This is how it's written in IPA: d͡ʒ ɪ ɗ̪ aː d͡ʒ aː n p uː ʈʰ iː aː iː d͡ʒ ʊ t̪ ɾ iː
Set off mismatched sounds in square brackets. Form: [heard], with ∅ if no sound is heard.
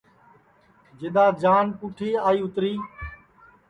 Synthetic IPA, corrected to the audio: d͡ʒ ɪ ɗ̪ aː d͡ʒ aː n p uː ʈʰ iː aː iː [∅] ʊ t̪ ɾ iː